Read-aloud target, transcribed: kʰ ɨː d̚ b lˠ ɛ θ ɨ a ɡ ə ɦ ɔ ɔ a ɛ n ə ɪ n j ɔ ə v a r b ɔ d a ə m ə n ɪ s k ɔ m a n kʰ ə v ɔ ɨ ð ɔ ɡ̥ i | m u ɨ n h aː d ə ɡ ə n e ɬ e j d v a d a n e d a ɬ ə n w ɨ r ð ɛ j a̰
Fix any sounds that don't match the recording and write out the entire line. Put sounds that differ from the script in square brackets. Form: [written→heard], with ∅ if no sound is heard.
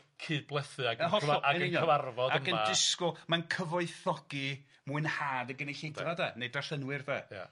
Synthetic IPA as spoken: kʰ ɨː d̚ b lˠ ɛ θ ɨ a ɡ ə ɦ ɔ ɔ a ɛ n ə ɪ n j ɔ ə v a r [b→v] ɔ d a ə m ə n ɪ s k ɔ m a n kʰ ə v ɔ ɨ [ð→θ] ɔ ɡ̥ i | m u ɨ n h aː d ə ɡ ə n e ɬ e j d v a d a n e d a ɬ ə n w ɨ r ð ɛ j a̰